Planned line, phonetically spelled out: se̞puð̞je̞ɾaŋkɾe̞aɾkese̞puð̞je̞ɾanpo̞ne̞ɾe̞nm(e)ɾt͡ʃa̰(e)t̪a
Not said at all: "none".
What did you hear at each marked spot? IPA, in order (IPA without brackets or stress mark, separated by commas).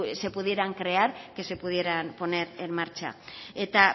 a, e